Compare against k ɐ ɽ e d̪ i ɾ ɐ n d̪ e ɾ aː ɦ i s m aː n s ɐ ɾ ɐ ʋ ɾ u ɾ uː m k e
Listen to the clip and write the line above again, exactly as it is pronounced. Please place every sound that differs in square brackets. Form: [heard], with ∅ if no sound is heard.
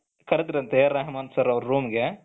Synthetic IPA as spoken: k ɐ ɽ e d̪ i ɾ ɐ n [t̪] e ɾ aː ɦ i [∅] m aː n s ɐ ɾ ɐ ʋ ɾ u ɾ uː m [ɡ] e